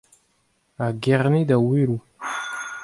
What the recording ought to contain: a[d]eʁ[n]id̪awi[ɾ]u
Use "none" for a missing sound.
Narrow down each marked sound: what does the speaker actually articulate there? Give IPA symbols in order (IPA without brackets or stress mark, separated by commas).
ɡ, n, ɾ